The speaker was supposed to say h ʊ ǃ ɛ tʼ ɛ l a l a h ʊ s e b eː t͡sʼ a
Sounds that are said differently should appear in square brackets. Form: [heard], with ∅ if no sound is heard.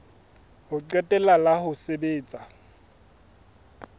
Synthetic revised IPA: h ʊ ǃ ɛ tʼ ɛ l a l a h ʊ s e b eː t͡sʼ a